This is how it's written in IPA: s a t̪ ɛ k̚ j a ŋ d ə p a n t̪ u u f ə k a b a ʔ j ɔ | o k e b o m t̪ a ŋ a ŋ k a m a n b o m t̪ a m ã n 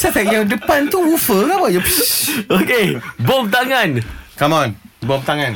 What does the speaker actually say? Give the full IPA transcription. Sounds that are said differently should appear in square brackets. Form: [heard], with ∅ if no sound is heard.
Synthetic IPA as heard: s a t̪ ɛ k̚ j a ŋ d ə p a n t̪ u u f ə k a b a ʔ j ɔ | o k e b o m t̪ a ŋ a [n] k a m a n b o m t̪ a [ŋ] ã n